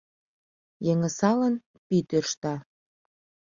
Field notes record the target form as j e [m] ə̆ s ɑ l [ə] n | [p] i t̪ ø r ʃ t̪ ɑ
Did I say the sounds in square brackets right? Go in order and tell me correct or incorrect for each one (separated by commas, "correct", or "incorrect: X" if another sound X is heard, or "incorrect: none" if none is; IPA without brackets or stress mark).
incorrect: ŋ, correct, correct